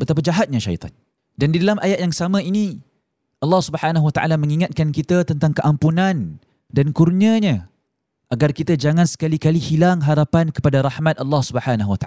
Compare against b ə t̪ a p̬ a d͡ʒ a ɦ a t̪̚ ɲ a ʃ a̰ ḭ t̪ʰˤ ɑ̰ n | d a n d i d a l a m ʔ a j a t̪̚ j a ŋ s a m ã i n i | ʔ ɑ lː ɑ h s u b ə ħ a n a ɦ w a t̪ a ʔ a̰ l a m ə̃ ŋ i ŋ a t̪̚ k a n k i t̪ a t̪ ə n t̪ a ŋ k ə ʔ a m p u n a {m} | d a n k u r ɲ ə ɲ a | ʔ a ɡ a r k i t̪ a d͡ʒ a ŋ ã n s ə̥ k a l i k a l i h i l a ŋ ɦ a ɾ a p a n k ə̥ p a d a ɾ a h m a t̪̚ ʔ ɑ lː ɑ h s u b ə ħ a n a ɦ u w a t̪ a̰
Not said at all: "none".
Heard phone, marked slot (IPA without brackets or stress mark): n